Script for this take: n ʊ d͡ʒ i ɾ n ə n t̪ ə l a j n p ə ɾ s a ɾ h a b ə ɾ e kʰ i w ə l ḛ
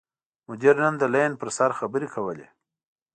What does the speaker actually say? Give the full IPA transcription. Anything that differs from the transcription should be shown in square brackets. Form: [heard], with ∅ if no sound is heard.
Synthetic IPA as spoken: [m] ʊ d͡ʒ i ɾ n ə n [d̪] ə l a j n p ə ɾ s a ɾ [x] a b ə ɾ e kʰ [a] w ə l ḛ